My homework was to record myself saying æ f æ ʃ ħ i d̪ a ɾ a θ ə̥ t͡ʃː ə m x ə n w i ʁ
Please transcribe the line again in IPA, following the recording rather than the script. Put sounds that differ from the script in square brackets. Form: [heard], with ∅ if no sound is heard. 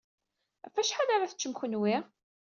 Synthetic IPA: æ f æ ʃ ħ [a] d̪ a ɾ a θ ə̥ t͡ʃː ə m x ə n w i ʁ